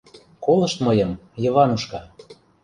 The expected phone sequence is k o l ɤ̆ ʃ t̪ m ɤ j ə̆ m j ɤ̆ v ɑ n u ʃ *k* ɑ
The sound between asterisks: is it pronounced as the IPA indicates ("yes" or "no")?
yes